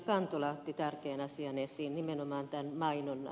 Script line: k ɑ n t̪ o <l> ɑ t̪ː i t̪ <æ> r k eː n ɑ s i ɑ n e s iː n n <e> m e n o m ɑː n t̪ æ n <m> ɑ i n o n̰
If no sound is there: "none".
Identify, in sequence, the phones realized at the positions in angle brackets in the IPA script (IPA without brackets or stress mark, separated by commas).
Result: l, æ, i, m